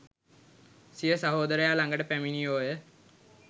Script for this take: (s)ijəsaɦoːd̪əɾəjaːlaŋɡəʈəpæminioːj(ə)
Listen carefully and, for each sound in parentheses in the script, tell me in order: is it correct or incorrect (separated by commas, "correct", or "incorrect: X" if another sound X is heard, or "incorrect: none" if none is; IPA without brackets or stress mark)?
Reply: correct, correct